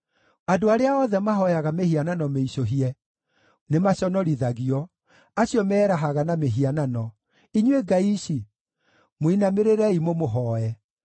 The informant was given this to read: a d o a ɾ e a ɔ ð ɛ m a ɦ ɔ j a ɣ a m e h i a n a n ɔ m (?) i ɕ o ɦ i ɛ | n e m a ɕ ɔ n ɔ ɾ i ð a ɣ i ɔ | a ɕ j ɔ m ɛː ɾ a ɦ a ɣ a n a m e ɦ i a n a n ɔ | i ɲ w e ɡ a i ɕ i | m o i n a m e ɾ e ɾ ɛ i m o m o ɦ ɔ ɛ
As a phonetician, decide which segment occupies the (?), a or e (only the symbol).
e